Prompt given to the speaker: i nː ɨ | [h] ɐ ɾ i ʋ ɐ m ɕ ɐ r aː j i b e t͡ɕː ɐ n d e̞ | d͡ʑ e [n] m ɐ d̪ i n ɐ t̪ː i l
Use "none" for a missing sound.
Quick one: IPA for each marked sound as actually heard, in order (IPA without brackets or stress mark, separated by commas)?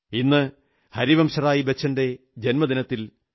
h, n